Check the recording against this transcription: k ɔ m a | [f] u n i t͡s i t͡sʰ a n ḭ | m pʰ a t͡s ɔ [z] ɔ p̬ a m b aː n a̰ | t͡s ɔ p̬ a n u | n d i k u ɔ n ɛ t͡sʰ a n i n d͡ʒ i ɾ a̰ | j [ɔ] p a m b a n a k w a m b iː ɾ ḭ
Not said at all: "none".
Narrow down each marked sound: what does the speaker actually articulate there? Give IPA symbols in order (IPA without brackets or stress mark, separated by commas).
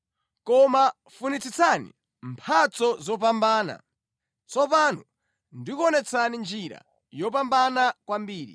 f, z, ɔ